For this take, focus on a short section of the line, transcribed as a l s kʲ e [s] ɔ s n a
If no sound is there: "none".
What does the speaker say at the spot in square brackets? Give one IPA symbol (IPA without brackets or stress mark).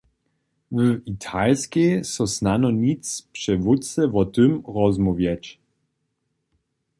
s